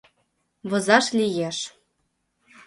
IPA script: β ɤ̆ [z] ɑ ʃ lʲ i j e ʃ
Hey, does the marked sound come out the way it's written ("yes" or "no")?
yes